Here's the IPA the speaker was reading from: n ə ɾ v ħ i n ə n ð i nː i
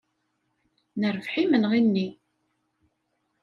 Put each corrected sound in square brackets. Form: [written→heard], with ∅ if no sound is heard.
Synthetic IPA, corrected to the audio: n ə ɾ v ħ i [n→m] ə n [ð→ʁ] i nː i